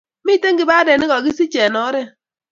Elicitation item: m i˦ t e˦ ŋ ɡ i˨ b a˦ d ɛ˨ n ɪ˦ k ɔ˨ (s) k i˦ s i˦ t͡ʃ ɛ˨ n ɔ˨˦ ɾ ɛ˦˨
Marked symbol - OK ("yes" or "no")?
no